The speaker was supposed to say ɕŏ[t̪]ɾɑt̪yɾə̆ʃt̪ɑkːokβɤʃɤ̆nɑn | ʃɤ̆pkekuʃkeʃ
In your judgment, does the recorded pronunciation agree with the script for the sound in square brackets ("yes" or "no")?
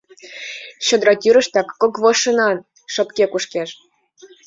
no